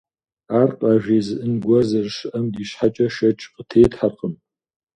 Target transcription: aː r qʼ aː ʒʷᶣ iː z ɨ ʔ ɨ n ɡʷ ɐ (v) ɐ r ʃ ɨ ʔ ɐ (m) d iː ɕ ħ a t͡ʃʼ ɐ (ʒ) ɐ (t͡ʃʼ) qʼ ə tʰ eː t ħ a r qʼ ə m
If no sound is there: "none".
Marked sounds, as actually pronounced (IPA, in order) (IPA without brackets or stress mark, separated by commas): z, m, ʃ, t͡ʃʼ